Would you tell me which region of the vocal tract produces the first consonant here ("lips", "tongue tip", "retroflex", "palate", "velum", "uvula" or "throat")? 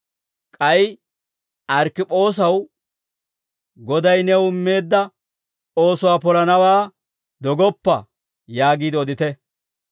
velum